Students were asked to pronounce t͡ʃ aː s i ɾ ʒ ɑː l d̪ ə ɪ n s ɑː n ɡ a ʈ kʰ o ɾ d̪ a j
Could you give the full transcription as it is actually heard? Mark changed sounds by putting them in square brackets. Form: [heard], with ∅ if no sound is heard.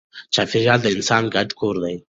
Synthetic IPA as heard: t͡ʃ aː [f] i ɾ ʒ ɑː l d̪ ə ɪ n s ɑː n ɡ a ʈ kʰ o ɾ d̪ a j